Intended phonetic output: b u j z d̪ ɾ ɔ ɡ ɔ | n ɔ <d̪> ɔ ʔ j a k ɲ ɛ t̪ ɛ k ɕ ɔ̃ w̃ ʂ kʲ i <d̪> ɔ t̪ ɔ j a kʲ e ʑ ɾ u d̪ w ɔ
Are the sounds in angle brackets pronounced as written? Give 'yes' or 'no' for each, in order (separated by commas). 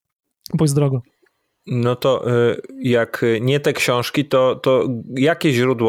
no, no